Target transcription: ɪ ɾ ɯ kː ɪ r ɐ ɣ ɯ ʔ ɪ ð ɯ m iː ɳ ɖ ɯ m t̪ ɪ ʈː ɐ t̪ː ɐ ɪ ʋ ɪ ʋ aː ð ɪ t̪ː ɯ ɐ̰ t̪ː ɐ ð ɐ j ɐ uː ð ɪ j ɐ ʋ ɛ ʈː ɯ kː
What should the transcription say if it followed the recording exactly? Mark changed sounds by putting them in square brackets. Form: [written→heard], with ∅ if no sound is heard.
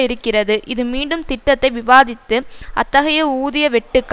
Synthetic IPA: ɪ ɾ ɯ kː ɪ r ɐ [ɣ→ð] ɯ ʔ ɪ ð ɯ m iː ɳ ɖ ɯ m t̪ ɪ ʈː ɐ t̪ː ɐ ɪ ʋ ɪ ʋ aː ð ɪ t̪ː ɯ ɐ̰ t̪ː ɐ [ð→ɣ] ɐ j ɐ uː ð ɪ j ɐ ʋ ɛ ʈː ɯ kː